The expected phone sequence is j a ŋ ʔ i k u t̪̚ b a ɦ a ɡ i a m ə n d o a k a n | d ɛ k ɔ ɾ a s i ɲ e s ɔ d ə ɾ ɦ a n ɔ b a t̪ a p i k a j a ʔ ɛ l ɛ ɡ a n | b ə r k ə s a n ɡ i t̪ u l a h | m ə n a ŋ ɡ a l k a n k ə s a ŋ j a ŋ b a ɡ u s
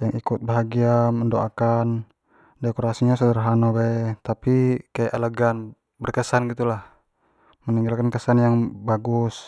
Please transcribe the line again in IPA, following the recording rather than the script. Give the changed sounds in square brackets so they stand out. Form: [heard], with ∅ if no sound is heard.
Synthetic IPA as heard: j a ŋ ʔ i k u t̪̚ b a ɦ a ɡ i a m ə n d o a k a n | d ɛ k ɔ ɾ a s i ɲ [a] s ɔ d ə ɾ ɦ a n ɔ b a t̪ a p i k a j a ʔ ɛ l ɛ ɡ a n | b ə r k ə s a n ɡ i t̪ u l a h | m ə n [i] ŋ ɡ a l k a n k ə s a [n] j a ŋ b a ɡ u s